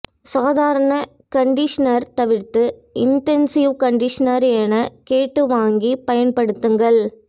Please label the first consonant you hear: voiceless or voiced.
voiceless